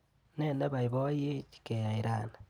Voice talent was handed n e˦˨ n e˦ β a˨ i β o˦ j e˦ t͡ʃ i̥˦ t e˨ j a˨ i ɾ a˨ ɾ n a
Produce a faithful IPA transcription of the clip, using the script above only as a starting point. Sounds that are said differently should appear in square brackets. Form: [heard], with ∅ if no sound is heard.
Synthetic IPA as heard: n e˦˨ n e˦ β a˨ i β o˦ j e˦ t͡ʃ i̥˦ [k] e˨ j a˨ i ɾ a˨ [∅] n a